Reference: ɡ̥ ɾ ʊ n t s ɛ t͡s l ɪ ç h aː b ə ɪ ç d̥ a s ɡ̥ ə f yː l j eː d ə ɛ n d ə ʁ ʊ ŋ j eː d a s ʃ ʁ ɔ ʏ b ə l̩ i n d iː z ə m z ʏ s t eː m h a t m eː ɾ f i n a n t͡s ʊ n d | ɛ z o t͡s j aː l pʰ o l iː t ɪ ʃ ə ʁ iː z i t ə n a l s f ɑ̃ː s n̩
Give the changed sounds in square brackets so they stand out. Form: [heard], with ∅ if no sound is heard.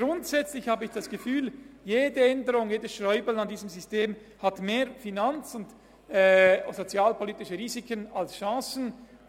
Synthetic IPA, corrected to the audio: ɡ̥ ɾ ʊ n t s ɛ t͡s l ɪ ç h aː b ə ɪ ç d̥ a s ɡ̥ ə f yː l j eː d ə ɛ n d ə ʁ ʊ ŋ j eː d [ə] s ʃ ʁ ɔ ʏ b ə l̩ [a] n d iː z ə m z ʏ s t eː m h a t m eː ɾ f i n a n t͡s ʊ n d | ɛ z o t͡s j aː l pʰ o l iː t ɪ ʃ ə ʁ iː z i [k] ə n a l s [ʃ] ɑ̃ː s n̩